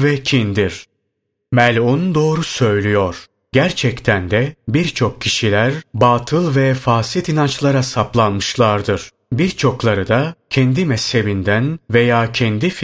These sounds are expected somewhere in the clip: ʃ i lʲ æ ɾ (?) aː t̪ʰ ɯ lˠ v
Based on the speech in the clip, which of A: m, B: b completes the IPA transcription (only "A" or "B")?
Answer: B